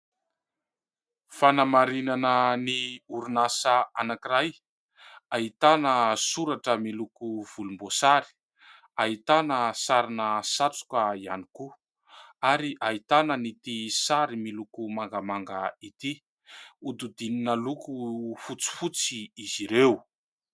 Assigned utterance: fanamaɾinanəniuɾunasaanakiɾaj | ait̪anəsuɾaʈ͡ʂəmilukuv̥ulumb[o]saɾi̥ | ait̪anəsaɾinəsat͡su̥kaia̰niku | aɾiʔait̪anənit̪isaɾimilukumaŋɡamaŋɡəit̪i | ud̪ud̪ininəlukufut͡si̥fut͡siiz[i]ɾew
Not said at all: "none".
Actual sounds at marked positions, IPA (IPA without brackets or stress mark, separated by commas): o, i